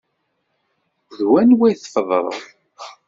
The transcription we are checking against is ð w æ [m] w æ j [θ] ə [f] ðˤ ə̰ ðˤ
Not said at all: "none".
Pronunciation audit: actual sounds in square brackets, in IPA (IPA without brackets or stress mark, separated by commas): n, θ, f